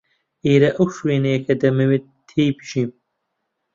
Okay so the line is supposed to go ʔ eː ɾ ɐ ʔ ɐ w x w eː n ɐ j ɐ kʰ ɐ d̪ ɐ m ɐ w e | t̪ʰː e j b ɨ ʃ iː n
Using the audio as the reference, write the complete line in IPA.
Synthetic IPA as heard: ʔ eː ɾ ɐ ʔ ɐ w ʃ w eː n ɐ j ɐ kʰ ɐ d̪ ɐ m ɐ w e | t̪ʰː e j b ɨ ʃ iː m